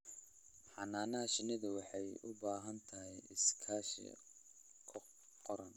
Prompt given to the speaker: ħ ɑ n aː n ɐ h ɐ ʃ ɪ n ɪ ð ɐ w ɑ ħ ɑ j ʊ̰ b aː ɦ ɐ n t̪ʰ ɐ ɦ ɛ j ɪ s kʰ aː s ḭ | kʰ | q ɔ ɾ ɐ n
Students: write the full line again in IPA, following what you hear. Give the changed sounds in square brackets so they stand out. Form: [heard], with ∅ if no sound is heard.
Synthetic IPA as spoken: ħ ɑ n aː n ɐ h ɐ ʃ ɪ n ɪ ð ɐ w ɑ ħ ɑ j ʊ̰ b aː ɦ ɐ n t̪ʰ ɐ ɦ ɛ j ɪ s kʰ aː [ʃ] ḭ | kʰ | q ɔ ɾ ɐ n